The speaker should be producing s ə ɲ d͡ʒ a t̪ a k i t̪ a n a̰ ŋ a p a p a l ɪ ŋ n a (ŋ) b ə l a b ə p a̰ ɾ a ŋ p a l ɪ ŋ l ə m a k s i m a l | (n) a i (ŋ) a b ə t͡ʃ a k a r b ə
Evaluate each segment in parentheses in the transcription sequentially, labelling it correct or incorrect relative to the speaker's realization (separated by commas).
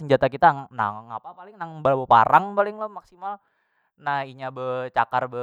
correct, correct, incorrect